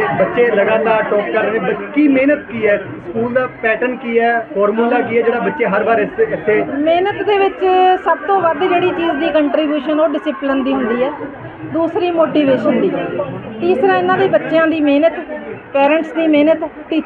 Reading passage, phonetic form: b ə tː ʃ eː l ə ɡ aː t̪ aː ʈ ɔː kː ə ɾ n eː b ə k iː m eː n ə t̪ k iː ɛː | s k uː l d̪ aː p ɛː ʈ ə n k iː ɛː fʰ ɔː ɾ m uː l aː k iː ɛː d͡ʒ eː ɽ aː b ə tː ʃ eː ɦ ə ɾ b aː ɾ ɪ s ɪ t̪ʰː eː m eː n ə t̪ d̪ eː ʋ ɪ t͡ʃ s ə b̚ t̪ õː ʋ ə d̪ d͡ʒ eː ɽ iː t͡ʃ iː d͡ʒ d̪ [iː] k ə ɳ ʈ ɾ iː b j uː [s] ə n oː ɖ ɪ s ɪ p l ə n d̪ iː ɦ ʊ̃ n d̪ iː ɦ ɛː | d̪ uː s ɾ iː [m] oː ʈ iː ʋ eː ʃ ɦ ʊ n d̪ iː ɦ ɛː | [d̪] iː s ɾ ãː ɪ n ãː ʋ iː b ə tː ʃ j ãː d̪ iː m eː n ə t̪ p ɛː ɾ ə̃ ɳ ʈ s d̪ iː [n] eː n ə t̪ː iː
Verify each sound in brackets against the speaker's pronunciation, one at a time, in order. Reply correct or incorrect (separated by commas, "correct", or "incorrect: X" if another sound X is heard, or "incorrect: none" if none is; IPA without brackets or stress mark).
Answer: correct, incorrect: ʃ, correct, incorrect: t̪, incorrect: m